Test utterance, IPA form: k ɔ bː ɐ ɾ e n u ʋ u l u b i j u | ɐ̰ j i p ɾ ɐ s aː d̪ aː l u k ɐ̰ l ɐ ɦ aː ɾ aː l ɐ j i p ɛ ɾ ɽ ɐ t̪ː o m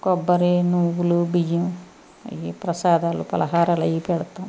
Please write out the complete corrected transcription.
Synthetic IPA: k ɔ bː ɐ ɾ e n u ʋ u l u b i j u | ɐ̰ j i p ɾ ɐ s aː d̪ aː l u p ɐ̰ l ɐ ɦ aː ɾ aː l ɐ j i p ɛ ɽ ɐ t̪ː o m